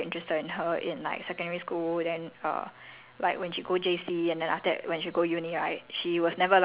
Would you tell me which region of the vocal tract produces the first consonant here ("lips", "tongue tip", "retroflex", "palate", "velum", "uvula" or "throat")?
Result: tongue tip